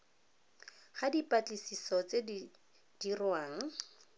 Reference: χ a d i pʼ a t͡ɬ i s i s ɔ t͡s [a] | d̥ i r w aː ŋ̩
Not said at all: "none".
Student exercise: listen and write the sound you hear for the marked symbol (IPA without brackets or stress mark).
e